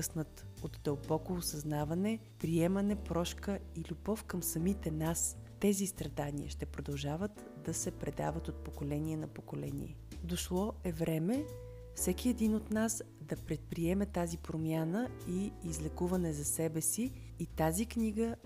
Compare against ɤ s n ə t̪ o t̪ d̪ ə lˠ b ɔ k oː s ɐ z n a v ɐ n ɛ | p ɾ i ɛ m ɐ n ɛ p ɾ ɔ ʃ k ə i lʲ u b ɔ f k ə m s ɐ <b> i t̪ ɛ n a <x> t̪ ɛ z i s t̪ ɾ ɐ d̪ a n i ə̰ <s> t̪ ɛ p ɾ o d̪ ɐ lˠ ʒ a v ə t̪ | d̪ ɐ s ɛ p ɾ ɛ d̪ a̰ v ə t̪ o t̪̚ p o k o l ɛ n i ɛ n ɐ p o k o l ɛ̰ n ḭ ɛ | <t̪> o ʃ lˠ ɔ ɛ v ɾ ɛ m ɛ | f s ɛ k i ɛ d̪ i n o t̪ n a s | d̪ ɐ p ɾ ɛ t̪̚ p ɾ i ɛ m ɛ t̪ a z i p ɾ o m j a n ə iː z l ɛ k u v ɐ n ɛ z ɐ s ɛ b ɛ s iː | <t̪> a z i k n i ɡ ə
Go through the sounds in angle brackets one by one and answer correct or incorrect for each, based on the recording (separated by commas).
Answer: incorrect, incorrect, incorrect, incorrect, correct